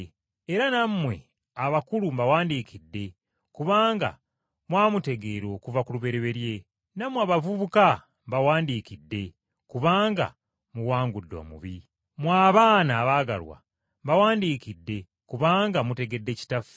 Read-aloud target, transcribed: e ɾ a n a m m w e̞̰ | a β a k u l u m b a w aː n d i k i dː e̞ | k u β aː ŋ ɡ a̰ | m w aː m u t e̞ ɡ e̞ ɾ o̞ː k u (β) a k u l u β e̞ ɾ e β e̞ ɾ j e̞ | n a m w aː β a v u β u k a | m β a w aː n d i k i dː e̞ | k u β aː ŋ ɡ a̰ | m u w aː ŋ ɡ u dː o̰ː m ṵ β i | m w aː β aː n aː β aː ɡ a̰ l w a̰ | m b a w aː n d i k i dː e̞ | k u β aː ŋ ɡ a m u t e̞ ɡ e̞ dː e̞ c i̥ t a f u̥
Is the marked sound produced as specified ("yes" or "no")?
no